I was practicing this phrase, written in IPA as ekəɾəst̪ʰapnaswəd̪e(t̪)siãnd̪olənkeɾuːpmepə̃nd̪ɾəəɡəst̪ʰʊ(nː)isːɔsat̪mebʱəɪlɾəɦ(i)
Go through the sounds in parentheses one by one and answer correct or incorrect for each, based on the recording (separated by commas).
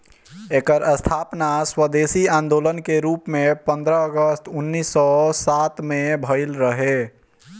incorrect, correct, incorrect